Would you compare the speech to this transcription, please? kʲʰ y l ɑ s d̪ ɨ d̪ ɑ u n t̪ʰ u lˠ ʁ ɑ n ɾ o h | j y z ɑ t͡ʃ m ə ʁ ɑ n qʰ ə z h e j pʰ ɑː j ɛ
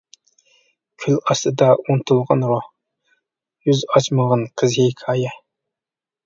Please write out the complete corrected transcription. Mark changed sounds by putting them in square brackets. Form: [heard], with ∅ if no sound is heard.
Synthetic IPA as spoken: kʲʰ y l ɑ s [t̪] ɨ d̪ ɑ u n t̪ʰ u lˠ ʁ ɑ n ɾ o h | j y z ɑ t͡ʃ m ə ʁ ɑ n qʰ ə z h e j [kʰ] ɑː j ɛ